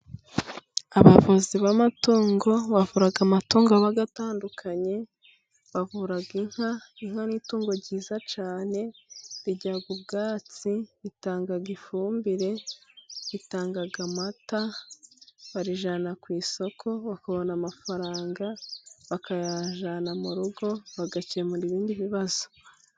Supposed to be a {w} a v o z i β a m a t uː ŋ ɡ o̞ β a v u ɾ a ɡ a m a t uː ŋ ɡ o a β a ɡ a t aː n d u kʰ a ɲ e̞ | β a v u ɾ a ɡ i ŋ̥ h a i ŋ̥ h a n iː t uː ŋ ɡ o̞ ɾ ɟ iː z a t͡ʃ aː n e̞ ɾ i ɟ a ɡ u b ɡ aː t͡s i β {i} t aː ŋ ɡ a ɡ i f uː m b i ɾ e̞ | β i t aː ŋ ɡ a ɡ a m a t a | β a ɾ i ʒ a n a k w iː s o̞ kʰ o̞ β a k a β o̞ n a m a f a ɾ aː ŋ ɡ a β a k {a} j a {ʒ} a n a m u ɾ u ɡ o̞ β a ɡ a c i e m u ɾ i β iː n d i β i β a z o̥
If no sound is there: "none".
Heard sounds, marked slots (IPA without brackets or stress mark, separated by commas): β, i, a, ʒ